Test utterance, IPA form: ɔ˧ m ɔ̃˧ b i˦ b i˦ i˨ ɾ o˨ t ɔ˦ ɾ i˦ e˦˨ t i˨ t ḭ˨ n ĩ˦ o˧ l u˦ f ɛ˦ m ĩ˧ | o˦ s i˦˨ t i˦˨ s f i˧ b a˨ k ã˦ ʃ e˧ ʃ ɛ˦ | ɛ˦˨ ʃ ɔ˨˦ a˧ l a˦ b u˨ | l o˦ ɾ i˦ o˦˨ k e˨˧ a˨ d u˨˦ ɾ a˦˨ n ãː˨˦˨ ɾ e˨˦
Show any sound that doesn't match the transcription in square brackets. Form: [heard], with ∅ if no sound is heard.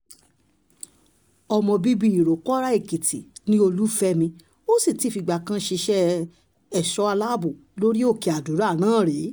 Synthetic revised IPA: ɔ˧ m ɔ̃˧ b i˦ b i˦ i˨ ɾ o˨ [k] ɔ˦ ɾ [a˦] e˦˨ [k] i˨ t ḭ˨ n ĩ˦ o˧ l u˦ f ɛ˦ m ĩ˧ | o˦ s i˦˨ t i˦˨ [∅] f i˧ [ɡ͡b] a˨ k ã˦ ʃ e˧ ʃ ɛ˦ | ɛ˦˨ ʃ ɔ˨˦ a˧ l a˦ b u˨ | l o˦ ɾ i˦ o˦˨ k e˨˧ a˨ d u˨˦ ɾ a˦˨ n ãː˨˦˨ ɾ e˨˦